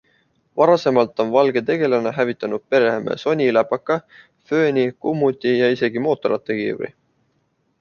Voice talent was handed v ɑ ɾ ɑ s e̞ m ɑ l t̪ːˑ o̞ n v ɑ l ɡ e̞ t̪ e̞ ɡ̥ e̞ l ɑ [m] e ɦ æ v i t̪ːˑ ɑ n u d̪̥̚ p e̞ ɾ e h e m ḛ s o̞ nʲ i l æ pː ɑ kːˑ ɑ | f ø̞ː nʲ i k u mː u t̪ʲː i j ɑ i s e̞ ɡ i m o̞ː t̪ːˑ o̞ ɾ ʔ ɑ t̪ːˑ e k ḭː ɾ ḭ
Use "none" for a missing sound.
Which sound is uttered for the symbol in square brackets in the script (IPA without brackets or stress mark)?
n